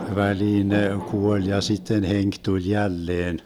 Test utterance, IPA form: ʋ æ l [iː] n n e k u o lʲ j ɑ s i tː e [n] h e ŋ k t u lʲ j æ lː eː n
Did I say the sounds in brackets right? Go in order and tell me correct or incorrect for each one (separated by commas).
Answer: correct, correct